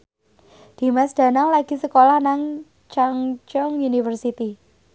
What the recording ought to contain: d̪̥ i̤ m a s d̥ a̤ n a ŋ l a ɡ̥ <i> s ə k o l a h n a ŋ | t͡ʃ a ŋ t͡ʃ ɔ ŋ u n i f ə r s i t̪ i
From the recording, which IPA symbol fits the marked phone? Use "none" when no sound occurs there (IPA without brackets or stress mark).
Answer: i